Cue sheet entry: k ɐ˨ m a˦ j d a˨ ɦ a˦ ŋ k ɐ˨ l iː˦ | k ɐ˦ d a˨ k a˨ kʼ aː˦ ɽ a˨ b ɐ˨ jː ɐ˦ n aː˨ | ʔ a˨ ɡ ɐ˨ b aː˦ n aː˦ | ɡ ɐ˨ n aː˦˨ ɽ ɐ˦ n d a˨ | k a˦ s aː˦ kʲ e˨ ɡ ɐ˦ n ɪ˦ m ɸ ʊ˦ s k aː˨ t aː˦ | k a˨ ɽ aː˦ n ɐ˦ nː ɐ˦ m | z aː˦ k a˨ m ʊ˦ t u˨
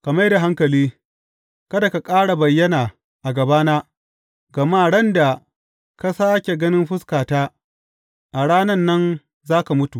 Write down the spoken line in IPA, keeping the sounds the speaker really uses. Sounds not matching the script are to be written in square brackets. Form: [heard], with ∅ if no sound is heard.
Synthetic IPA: k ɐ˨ m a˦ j d a˨ ɦ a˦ ŋ k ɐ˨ l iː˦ | k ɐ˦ d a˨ k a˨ kʼ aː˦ ɽ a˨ b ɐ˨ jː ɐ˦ n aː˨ | ʔ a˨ ɡ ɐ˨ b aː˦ n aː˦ | ɡ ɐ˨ [m] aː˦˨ ɽ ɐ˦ n d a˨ | k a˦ s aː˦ kʲ e˨ ɡ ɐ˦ n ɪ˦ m ɸ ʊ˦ s k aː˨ t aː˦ | [ʔ] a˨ ɽ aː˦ n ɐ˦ nː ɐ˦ [n] | z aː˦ k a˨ m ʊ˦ t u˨

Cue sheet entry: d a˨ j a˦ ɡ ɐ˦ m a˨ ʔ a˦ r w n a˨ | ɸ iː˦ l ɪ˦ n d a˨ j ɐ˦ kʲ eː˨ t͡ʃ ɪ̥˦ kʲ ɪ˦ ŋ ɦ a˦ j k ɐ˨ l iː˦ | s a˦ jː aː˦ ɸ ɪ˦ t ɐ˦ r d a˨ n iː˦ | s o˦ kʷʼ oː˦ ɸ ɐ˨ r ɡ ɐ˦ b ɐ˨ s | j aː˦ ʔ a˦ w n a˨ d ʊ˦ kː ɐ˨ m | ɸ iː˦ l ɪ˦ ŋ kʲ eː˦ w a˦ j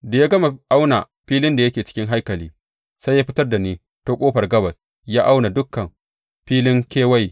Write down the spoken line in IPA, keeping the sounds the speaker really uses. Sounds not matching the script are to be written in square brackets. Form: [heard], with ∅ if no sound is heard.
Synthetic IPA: d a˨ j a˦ ɡ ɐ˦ m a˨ ʔ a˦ [∅] w n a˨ | ɸ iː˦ l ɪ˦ n d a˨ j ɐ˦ kʲ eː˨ t͡ʃ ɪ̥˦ kʲ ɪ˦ ŋ ɦ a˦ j k ɐ˨ l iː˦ | s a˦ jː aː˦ ɸ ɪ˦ t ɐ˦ r d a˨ n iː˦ | [t] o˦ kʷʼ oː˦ ɸ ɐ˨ r ɡ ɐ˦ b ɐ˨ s | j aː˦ ʔ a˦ w n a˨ d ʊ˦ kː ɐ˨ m | ɸ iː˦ l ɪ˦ ŋ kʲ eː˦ w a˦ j

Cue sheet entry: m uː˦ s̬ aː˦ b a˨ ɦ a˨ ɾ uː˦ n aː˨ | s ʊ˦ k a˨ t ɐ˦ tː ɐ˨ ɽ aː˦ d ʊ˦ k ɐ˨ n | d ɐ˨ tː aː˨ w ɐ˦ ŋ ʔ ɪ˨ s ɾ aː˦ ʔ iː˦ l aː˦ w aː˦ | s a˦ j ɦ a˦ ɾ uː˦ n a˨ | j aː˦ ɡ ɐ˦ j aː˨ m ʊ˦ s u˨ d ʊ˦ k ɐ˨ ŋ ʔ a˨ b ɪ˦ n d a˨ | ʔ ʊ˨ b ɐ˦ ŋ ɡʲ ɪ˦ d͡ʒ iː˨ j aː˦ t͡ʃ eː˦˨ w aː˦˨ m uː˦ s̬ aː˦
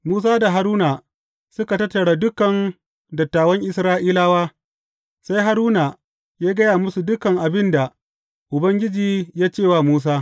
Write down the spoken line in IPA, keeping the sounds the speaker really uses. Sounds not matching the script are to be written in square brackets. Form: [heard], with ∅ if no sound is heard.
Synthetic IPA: m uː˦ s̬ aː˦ [d] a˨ ɦ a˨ ɾ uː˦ n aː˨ | s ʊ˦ k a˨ t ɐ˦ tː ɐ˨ ɽ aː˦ d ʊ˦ k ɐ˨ n | d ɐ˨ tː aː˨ w ɐ˦ ŋ ʔ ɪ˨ s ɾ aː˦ ʔ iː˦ l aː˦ w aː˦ | s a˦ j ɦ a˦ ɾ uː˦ n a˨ | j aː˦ ɡ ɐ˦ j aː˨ m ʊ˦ s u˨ d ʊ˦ k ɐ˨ ŋ ʔ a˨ b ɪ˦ n d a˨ | ʔ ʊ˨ b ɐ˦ ŋ ɡʲ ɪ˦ d͡ʒ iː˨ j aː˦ t͡ʃ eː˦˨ w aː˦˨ m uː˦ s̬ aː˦

